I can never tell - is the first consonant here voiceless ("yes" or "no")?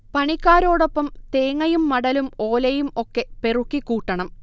yes